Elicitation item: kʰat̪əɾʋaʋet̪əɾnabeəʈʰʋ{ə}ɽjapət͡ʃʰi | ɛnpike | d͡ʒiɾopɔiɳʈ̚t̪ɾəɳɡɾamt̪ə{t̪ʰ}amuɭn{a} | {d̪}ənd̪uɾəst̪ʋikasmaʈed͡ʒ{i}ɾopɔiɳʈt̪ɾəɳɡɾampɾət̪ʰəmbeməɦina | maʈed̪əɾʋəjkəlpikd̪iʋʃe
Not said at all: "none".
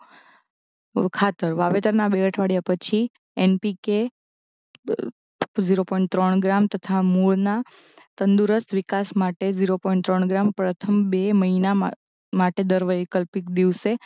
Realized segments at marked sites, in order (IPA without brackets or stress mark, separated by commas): a, t̪ʰ, a, t̪, i